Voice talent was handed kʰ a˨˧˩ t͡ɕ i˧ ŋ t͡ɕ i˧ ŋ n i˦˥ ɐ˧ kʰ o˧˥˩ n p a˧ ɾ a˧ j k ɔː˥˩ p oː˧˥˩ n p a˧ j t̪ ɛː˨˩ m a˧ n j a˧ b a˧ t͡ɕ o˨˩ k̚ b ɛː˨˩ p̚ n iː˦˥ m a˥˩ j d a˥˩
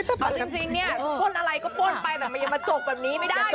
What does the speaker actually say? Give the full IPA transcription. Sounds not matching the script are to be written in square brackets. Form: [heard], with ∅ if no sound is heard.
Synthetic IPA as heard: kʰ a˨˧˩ t͡ɕ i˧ ŋ t͡ɕ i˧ ŋ n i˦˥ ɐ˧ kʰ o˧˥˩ n [ʔ] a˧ ɾ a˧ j k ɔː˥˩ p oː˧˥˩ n p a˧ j t̪ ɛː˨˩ m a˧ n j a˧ [m] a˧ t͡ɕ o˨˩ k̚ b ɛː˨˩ p̚ n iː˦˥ m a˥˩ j d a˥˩